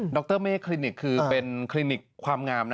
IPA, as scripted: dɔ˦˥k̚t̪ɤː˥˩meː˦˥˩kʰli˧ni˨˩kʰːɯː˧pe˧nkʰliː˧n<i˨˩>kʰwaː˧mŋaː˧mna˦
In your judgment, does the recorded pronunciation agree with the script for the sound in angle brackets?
yes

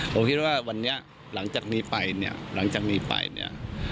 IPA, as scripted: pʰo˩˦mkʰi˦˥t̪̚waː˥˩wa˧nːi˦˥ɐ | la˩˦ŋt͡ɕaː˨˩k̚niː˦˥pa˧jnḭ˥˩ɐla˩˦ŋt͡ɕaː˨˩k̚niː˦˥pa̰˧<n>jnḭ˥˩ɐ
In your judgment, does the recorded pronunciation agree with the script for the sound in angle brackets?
no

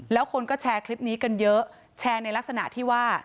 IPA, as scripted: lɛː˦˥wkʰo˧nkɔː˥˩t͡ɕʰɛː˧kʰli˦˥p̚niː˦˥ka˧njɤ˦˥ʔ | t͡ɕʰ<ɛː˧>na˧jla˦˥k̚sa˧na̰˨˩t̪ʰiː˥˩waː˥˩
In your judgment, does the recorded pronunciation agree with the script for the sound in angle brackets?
yes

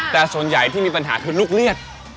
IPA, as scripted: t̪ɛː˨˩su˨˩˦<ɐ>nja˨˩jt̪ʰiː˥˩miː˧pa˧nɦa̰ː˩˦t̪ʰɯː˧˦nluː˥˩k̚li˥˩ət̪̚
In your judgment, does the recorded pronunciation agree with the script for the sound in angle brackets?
no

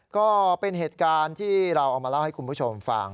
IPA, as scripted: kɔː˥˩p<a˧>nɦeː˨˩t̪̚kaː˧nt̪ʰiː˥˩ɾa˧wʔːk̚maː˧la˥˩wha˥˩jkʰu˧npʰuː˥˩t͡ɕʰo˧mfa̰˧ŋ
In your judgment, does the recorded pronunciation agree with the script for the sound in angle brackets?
no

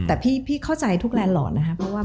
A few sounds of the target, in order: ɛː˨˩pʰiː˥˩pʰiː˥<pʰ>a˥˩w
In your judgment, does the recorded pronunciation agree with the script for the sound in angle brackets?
no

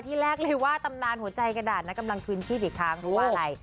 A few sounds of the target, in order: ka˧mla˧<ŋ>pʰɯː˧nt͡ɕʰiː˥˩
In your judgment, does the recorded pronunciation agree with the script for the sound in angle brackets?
yes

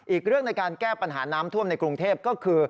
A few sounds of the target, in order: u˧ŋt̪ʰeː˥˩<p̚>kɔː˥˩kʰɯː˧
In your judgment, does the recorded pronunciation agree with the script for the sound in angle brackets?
yes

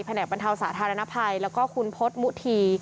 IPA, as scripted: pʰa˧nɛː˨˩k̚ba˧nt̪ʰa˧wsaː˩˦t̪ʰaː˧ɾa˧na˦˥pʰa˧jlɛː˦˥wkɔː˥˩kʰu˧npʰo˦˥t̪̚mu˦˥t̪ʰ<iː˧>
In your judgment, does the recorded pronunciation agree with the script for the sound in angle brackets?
yes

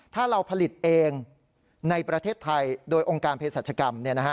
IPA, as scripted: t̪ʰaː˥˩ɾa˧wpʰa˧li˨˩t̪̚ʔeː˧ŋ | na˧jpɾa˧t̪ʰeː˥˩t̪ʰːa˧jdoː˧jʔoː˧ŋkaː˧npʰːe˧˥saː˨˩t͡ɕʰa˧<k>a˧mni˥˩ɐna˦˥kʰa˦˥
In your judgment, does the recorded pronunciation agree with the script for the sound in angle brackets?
yes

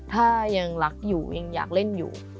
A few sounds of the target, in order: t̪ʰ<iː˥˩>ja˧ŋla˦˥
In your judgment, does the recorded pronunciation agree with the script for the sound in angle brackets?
no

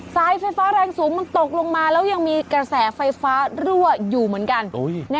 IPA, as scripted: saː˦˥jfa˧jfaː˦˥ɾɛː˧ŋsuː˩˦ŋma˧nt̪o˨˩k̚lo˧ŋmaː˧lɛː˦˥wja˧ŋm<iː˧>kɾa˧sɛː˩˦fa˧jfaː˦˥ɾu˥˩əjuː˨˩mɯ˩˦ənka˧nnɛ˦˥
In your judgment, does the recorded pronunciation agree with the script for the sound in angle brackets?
yes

